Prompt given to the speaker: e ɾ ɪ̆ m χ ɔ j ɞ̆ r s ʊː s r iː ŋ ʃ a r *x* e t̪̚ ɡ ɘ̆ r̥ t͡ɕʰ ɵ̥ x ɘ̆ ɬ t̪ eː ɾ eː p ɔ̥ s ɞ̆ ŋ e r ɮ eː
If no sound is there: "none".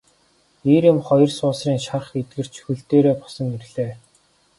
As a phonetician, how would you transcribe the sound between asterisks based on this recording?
χ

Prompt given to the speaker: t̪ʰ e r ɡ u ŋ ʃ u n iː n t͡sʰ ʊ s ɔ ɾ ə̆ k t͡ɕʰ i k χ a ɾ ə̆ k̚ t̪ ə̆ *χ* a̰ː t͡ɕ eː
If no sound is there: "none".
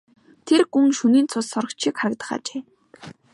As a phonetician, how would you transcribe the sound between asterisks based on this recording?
χ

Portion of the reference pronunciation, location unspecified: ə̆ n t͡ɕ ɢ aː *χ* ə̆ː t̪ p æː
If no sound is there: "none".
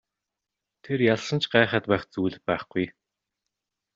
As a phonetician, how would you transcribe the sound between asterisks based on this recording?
χ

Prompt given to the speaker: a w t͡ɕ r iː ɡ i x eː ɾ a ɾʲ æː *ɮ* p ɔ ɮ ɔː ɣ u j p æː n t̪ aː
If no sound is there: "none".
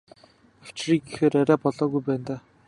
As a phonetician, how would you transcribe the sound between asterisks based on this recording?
none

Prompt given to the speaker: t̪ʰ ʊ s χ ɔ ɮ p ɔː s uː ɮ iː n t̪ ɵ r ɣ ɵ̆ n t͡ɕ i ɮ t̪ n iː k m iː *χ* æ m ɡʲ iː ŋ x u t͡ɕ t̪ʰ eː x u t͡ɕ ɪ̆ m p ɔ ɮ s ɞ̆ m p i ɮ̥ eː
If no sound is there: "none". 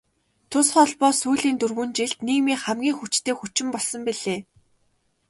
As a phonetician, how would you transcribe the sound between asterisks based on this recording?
χ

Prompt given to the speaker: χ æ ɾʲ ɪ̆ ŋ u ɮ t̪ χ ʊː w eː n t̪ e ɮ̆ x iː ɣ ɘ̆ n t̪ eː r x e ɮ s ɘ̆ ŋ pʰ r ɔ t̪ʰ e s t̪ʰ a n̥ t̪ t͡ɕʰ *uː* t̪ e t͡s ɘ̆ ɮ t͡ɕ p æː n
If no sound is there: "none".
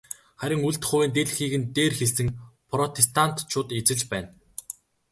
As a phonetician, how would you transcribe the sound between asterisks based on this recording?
ʊː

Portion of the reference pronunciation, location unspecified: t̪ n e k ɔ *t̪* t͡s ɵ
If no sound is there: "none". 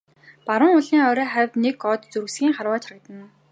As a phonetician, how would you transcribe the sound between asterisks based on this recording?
t̪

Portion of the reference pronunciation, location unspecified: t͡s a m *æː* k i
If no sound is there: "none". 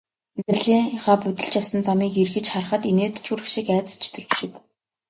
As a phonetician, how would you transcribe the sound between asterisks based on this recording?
iː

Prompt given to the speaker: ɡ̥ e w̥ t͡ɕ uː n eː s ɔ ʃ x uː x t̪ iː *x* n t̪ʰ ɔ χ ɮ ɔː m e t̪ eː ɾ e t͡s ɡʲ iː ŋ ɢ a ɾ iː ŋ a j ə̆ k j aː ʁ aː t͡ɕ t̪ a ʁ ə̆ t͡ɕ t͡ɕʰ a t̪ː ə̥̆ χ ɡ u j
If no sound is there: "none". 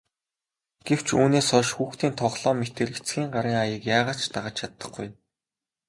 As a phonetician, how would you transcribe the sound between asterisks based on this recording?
none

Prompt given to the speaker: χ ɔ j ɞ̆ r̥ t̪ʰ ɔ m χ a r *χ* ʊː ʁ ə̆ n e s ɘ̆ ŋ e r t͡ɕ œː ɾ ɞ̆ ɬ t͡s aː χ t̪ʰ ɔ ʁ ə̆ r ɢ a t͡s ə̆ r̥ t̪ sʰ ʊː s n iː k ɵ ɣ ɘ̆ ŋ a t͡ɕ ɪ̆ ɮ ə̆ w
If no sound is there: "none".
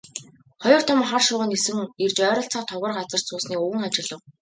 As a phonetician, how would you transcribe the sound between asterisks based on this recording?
ʃ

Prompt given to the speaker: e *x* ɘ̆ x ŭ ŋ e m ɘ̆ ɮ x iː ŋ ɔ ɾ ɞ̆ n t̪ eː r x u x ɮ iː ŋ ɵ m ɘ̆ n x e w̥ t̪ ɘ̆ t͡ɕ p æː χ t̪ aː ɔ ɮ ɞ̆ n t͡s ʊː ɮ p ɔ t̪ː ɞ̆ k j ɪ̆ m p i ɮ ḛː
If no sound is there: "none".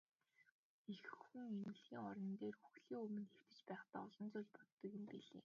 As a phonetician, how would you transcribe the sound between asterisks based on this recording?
x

